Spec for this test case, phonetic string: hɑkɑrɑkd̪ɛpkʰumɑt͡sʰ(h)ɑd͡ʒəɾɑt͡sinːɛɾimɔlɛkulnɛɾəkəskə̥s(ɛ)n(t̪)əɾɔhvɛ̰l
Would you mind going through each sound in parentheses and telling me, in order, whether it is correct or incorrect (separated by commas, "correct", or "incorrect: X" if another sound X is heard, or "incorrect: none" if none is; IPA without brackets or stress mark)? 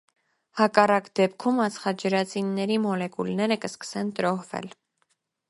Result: incorrect: χ, correct, correct